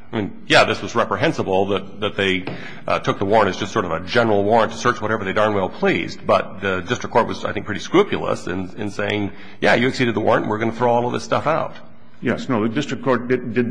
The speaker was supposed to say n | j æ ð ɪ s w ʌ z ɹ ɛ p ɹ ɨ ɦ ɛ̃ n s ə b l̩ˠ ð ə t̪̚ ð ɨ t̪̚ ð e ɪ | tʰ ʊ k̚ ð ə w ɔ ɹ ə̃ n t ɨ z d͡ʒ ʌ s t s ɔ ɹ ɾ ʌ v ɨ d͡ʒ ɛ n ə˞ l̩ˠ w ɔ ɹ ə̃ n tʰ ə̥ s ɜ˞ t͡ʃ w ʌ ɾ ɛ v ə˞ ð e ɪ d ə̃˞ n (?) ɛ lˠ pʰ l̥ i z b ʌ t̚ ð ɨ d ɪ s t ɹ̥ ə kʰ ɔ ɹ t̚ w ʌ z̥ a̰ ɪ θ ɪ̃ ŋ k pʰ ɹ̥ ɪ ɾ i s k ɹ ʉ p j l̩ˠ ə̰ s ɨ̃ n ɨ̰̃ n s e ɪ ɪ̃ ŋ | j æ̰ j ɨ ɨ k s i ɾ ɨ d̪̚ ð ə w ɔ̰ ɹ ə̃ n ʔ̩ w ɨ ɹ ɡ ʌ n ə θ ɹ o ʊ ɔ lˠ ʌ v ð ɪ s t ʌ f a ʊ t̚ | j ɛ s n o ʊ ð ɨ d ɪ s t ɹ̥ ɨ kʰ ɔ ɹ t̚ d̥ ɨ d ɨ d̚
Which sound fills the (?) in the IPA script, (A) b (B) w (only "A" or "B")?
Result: B